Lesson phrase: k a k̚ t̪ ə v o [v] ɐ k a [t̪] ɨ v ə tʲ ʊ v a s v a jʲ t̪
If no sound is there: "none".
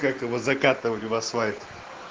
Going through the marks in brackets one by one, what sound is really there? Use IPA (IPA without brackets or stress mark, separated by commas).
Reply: z, t̪